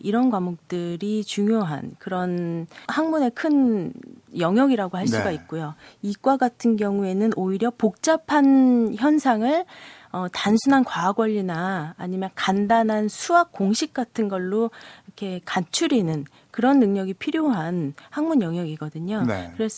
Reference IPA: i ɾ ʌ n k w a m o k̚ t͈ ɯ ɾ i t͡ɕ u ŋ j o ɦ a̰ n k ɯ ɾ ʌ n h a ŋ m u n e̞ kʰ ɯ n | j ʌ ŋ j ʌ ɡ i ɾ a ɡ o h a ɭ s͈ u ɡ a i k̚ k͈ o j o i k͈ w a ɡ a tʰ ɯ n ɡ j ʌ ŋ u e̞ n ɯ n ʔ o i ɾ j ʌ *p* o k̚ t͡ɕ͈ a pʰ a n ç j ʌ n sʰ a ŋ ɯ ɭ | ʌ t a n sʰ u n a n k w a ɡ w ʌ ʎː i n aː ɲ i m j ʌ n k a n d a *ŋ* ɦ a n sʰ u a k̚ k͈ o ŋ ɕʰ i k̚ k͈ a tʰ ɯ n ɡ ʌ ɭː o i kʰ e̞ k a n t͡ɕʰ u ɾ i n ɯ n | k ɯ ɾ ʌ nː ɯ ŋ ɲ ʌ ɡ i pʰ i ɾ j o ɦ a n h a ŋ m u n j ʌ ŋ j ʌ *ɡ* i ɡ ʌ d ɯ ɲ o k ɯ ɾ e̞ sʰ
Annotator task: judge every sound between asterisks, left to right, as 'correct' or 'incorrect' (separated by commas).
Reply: correct, incorrect, correct